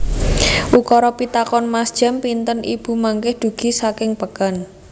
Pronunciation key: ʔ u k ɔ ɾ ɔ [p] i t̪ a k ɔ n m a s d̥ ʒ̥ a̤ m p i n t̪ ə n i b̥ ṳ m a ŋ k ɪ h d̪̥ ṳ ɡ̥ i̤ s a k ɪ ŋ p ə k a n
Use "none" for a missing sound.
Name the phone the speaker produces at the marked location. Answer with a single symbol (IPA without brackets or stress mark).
p